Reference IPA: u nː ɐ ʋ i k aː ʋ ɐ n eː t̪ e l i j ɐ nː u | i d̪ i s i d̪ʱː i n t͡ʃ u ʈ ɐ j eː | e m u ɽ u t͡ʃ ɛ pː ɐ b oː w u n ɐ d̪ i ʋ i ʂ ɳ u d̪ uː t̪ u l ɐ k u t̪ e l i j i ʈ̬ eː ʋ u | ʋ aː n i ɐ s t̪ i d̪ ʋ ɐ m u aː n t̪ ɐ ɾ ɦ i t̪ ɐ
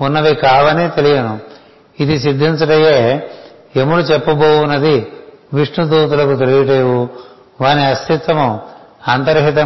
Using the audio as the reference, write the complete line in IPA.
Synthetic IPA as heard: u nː ɐ ʋ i k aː ʋ ɐ n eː t̪ e l i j ɐ n u | i d̪ i s i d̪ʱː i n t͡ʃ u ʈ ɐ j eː | e m u ɽ u t͡ʃ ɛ pː ɐ b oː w u n ɐ d̪ i ʋ i ʂ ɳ u d̪ uː t̪ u l ɐ k u t̪ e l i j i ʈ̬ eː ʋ u | ʋ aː n i ɐ s t̪ i t̪ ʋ ɐ m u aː n t̪ ɐ ɾ ɦ i t̪ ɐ